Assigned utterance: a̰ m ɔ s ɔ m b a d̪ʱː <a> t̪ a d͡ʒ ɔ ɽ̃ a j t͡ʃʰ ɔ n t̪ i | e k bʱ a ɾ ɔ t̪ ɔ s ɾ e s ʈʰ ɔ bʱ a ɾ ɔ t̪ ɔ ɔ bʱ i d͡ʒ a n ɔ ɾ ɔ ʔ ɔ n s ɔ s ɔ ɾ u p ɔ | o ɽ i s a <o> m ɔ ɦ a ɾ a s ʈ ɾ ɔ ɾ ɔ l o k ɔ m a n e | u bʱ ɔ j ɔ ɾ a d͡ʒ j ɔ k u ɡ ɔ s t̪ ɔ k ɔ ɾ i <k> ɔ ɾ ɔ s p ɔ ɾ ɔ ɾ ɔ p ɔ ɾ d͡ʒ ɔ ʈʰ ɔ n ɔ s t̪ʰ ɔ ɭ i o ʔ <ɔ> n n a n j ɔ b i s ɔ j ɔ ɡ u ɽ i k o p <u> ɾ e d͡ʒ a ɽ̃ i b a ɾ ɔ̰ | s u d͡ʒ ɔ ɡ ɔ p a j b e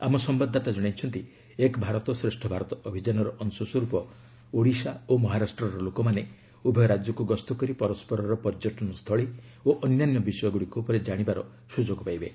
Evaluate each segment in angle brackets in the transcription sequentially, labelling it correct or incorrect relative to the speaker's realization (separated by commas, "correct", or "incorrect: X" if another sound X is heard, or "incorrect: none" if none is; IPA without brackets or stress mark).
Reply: correct, correct, incorrect: p, correct, incorrect: ɔ